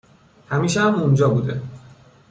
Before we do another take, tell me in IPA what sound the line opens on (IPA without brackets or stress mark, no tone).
h